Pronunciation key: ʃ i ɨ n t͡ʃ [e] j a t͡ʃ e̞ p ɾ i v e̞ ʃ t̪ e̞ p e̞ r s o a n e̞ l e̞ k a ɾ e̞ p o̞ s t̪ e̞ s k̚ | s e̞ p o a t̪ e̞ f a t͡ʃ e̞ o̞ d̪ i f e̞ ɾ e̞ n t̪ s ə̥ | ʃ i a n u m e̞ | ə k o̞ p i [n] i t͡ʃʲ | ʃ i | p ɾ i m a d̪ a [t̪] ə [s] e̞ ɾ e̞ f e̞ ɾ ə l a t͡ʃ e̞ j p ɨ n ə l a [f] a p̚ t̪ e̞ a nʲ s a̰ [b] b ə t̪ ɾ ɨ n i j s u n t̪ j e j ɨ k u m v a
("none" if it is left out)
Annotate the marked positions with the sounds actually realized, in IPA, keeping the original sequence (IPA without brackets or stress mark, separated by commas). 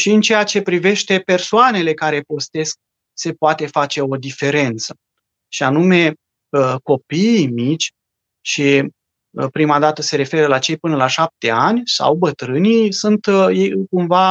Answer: e, m, t̪, s, ʃ, w